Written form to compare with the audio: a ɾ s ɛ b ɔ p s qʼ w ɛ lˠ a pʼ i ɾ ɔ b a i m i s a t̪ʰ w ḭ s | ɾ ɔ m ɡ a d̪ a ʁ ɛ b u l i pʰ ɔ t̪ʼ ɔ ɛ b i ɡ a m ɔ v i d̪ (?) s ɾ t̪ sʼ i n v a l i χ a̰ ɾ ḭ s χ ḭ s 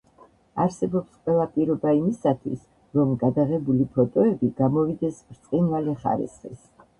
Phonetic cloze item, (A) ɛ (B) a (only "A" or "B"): A